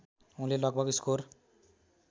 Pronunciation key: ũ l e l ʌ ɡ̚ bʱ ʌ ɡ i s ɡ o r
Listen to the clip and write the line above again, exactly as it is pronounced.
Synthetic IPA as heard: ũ l e l ʌ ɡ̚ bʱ ʌ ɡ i s k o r

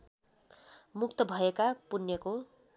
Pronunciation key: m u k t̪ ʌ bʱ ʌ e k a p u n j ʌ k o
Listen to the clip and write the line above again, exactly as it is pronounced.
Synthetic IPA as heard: m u k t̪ ʌ bʱ ʌ e k a p u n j ʌ k o

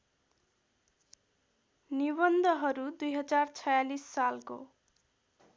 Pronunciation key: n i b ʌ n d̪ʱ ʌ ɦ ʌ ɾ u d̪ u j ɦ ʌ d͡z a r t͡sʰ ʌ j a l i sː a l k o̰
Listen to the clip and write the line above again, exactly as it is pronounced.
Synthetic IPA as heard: n i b ʌ n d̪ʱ ʌ ɦ ʌ ɾ u d̪ u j ɦ ʌ d͡z a r t͡sʰ ʌ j a l i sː a l k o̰

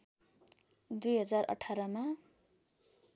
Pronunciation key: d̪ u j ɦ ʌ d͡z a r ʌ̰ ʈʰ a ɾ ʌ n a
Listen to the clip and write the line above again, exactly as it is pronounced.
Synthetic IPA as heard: d̪ u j ɦ ʌ d͡z a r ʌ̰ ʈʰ a ɾ ʌ m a

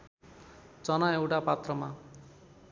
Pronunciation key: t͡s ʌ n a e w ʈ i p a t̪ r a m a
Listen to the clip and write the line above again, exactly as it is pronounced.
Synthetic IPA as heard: t͡s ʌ n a e w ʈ a p a t̪ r ʌ m a

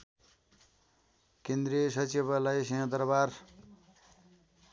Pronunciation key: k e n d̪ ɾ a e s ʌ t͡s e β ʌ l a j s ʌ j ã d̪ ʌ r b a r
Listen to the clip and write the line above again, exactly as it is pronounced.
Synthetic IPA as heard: k e n d̪ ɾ i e s ʌ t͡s i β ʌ l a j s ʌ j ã d̪ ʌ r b a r

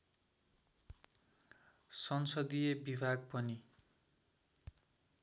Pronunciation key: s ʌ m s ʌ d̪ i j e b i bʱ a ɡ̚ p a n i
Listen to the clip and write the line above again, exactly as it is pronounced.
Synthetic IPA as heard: s ʌ n s ʌ d̪ i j e b i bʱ a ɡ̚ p ʌ n i

